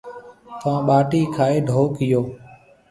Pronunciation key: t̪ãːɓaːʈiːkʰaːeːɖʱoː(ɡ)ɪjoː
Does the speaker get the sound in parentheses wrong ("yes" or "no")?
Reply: yes